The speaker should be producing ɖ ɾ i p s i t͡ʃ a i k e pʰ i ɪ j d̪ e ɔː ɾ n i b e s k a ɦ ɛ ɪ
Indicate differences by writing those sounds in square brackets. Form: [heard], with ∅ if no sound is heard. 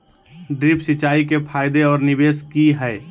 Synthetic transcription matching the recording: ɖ ɾ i p s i t͡ʃ a i k e pʰ [a] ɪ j d̪ e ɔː ɾ n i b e s k [i] ɦ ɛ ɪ